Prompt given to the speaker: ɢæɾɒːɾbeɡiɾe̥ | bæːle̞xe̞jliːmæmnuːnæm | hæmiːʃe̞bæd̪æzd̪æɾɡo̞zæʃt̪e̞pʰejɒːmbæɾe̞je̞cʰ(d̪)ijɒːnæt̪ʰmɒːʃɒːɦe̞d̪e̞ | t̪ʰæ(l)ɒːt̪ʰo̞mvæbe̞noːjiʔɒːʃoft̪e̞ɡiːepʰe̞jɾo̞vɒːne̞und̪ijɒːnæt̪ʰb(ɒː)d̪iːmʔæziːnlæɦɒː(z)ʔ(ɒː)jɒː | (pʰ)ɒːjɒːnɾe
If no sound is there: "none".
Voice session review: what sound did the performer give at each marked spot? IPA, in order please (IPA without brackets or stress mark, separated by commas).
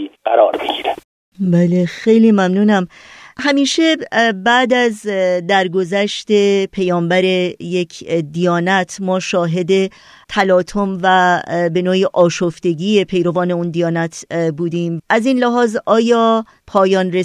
d̪, l, uː, z, ɒː, pʰ